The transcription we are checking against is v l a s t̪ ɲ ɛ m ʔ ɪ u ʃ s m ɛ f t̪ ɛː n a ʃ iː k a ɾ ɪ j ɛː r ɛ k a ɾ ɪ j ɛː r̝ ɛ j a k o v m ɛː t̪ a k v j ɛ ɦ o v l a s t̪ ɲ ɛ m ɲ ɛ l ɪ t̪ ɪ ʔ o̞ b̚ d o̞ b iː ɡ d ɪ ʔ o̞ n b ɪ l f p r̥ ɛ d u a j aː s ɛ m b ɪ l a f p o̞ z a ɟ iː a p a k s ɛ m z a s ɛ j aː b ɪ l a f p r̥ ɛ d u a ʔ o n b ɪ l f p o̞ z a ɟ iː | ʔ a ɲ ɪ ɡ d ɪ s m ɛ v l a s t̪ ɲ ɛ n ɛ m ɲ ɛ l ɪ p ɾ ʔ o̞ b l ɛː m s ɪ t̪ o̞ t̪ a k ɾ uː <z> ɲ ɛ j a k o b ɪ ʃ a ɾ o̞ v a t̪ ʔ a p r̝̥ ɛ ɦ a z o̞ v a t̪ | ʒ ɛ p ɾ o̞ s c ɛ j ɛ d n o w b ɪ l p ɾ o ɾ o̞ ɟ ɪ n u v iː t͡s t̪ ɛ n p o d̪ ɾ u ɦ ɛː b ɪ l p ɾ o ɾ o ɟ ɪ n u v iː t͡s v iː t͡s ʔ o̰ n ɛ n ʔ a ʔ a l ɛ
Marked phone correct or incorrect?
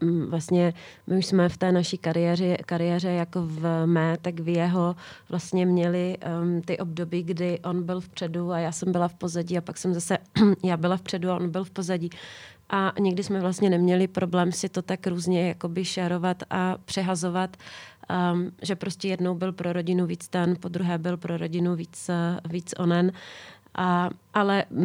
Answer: correct